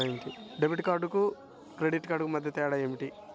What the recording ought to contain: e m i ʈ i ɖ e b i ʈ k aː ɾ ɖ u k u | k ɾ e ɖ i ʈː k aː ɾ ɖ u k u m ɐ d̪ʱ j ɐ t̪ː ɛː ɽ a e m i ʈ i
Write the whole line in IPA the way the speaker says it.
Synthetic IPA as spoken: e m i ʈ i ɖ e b i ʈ k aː ɾ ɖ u k u | k ɾ e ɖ i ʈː k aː ɾ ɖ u k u m ɐ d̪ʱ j ɐ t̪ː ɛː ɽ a e m i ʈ i